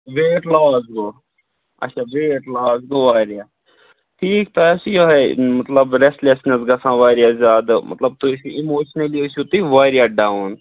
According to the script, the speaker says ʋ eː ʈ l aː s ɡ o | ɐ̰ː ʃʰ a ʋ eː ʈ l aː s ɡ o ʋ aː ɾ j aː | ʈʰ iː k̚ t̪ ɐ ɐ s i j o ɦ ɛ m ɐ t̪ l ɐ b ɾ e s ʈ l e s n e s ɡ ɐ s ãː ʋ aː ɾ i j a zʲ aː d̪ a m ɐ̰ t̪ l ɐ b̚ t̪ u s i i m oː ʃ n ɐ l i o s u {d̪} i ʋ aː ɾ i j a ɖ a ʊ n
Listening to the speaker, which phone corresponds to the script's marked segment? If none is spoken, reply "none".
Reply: t̪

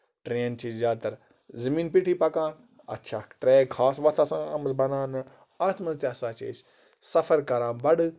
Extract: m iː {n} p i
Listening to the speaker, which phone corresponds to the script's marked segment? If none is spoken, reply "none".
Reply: n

